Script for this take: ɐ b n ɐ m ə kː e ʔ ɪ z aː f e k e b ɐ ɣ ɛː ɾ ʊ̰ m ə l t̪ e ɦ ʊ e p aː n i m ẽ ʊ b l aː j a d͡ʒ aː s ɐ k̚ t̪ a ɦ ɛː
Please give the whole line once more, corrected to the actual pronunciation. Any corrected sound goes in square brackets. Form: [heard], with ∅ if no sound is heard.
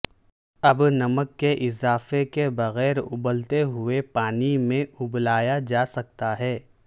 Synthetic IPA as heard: ɐ b n ɐ m ə kː e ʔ ɪ z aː f e k e b ɐ ɣ ɛː ɾ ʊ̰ [b] ə l t̪ e ɦ ʊ e p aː n i m ẽ ʊ b l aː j a d͡ʒ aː s ɐ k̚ t̪ a ɦ ɛː